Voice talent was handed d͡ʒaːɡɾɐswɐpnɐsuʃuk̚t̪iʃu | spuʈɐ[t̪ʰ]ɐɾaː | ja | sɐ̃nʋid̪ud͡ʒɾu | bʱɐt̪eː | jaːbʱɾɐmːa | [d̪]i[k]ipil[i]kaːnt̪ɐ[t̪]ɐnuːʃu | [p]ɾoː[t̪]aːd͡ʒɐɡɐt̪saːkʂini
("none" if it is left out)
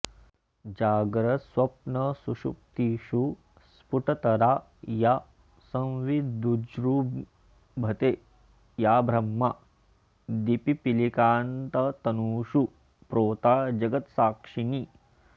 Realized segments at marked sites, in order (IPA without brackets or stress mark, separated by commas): t̪, d̪, p, i, t̪, p, t̪